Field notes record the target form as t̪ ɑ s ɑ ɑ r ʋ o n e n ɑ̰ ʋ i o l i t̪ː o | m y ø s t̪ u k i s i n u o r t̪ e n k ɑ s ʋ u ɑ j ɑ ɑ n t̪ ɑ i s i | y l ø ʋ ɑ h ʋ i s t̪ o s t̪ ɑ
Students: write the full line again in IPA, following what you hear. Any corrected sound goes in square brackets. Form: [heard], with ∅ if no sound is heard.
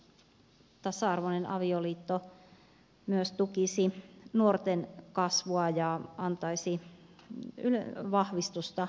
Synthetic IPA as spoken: t̪ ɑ s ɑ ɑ r ʋ o n e n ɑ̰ ʋ i o l [iː] t̪ː o | m y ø s t̪ u k i s i n u o r t̪ e n k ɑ s ʋ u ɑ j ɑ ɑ n t̪ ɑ i s i | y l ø ʋ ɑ h ʋ i s t̪ [u] s t̪ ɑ